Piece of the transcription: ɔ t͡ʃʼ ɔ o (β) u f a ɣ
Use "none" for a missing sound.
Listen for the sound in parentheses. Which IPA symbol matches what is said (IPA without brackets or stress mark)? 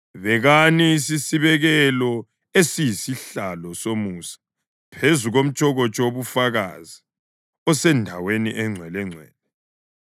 β